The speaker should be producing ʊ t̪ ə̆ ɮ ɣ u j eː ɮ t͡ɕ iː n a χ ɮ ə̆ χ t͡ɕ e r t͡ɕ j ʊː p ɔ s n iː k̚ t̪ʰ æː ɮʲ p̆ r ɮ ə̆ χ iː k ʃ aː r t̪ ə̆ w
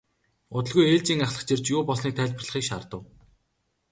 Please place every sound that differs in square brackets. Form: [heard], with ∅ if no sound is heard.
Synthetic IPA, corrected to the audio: ʊ t̪ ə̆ ɮ ɣ u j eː ɮ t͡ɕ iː [ŋ] a χ ɮ ə̆ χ t͡ɕ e r t͡ɕ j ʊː p ɔ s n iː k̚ t̪ʰ æː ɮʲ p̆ r ɮ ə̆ χ iː k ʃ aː r t̪ ə̆ w